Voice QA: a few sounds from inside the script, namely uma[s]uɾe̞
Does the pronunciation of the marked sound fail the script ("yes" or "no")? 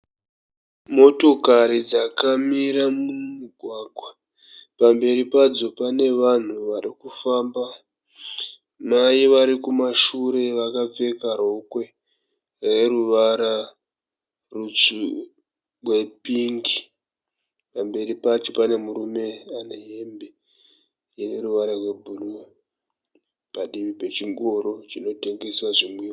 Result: yes